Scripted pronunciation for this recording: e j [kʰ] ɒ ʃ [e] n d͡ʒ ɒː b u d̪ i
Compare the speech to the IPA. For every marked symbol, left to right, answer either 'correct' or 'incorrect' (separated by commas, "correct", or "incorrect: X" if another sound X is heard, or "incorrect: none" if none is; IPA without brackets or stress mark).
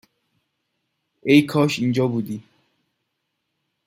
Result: correct, incorrect: i